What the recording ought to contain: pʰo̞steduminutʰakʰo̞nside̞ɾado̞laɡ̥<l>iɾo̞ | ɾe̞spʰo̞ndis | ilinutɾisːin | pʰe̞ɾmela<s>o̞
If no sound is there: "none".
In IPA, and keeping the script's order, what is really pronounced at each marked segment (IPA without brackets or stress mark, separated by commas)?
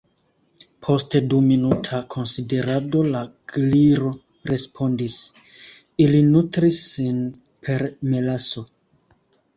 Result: l, s